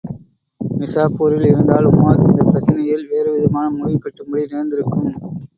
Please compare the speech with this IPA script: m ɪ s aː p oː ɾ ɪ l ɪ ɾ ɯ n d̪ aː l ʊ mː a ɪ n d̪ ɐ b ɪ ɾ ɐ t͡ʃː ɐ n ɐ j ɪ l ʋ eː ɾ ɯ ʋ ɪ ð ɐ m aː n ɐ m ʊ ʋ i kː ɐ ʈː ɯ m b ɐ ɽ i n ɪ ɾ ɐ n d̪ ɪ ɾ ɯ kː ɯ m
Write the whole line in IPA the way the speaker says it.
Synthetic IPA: m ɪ s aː p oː ɾ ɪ l ɪ ɾ ɯ n d̪ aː l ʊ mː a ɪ n d̪ ɐ p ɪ ɾ ɐ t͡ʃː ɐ n ɐ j ɪ l ʋ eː ɾ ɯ ʋ ɪ ð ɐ m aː n ɐ m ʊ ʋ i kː ɐ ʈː ɯ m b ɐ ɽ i n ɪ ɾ ɐ n d̪ ɪ ɾ ɯ kː ɯ m

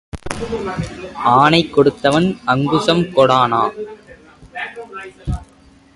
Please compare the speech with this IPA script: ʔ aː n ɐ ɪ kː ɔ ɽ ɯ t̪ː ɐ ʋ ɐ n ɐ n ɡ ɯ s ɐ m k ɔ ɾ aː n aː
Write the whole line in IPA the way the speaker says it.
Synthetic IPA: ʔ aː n ɐ ɪ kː ɔ ɽ ɯ t̪ː ɐ ʋ ɐ n ɐ ŋ ɡ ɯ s ɐ m k ɔ ɽ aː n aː

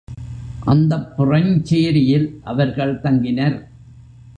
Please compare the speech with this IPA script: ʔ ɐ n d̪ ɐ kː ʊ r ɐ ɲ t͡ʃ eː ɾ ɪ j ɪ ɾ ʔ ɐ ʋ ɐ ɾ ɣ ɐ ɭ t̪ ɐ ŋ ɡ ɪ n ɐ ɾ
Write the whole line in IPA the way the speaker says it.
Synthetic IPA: ʔ ɐ n d̪ ɐ pː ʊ r ɐ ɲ t͡ʃ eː ɾ ɪ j ɪ l ʔ ɐ ʋ ɐ ɾ ɣ ɐ ɭ t̪ ɐ ŋ ɡ ɪ n ɐ ɾ

